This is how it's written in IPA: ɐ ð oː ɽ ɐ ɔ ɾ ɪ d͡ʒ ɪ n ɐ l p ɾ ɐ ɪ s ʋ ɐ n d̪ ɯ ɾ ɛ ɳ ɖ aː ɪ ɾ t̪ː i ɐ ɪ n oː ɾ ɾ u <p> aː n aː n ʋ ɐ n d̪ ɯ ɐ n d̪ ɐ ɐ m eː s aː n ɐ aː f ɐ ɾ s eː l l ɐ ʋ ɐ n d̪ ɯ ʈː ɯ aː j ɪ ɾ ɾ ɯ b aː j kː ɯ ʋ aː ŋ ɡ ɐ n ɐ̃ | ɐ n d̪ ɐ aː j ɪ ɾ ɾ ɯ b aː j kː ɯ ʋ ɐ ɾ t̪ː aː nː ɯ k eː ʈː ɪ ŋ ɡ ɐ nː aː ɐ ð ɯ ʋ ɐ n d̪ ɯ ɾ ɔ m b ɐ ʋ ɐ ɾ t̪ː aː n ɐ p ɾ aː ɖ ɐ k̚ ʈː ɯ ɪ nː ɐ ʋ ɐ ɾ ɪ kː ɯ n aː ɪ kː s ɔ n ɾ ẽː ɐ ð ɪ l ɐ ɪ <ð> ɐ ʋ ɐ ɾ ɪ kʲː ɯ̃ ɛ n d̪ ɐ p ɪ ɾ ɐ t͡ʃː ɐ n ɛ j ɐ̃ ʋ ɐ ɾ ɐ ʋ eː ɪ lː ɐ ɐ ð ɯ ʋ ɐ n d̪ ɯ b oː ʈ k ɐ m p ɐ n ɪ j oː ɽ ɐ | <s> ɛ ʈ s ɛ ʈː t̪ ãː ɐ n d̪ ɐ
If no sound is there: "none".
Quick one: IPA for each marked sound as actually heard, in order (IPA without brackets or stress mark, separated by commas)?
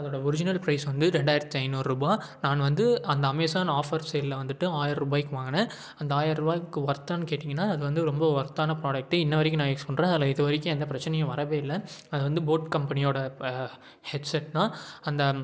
b, ð, h